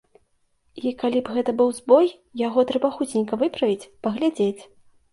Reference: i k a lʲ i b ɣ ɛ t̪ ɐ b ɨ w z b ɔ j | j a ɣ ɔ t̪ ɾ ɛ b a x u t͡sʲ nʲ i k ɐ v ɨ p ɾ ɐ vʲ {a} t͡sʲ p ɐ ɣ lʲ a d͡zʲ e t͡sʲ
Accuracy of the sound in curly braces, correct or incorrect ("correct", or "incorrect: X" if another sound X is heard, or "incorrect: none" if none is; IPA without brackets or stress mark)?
incorrect: i